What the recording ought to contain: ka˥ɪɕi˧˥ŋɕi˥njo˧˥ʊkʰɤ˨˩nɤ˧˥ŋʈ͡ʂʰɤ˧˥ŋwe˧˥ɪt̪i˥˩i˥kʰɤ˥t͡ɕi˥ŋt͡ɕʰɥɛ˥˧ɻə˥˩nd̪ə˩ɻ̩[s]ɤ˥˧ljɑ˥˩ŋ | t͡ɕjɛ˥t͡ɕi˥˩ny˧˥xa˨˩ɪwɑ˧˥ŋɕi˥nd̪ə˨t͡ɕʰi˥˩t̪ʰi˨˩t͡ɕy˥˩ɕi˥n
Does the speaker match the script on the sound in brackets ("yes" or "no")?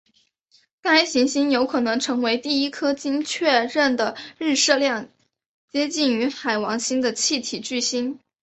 no